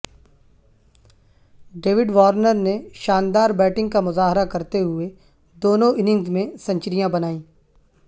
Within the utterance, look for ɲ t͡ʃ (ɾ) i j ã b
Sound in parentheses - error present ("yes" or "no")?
no